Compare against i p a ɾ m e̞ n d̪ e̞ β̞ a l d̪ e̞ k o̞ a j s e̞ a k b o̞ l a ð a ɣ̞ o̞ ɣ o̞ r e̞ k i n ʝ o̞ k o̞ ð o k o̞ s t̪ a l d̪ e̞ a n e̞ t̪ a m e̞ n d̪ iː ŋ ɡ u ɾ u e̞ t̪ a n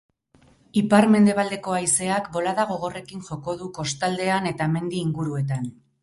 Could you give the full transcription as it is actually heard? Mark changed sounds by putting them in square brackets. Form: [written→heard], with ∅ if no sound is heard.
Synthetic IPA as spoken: i p a ɾ m e̞ n d̪ e̞ β̞ a l d̪ e̞ k o̞ a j s e̞ a k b o̞ l a ð a ɣ̞ o̞ ɣ o̞ r e̞ k i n ʝ o̞ k o̞ ð [o→u] k o̞ s t̪ a l d̪ e̞ a n e̞ t̪ a m e̞ n d̪ iː ŋ ɡ u ɾ u e̞ t̪ a n